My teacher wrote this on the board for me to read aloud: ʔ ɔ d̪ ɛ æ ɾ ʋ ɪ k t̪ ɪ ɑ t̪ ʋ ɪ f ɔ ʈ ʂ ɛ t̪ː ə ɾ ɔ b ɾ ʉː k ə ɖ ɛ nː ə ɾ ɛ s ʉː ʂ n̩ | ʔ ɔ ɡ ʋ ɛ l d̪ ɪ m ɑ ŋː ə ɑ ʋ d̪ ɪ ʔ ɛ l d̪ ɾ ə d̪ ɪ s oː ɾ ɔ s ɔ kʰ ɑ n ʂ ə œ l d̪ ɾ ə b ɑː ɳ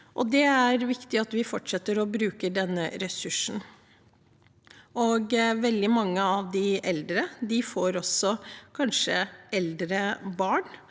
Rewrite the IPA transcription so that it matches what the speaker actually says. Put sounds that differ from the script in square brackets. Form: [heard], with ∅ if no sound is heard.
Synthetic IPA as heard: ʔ ɔ d̪ ɛ æ ɾ ʋ ɪ k t̪ ɪ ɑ t̪ ʋ ɪ f ɔ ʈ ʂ ɛ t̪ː ə ɾ ɔ b ɾ ʉː k ə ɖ ɛ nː ə ɾ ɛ s [ʉ] ʂ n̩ | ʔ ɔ ɡ ʋ ɛ l d̪ ɪ m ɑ ŋː ə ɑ ʋ d̪ ɪ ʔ ɛ l d̪ ɾ ə d̪ ɪ [f] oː ɾ ɔ s ɔ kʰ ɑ n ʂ ə [ɛ] l d̪ ɾ ə b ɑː ɳ